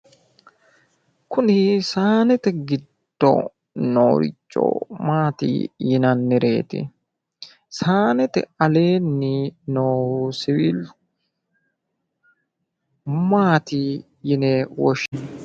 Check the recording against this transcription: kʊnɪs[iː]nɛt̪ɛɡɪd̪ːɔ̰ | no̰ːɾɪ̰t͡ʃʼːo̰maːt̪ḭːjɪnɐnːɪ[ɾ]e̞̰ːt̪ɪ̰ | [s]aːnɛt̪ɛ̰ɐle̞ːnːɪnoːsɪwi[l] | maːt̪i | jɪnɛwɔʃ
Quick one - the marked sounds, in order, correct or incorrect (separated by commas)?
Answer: incorrect, correct, correct, correct